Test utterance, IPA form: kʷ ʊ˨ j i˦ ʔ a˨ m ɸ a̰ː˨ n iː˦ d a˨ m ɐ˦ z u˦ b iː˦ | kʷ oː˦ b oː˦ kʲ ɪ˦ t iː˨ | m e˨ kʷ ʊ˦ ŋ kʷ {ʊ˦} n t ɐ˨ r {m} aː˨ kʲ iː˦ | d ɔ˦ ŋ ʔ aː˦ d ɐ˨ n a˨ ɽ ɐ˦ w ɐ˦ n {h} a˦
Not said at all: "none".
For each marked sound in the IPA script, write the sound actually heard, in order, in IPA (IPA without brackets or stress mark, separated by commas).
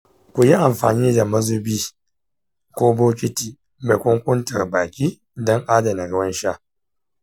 ʊ˦, b, ʃ